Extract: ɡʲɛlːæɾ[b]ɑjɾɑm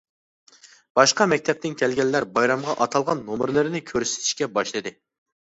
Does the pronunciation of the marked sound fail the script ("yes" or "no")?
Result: no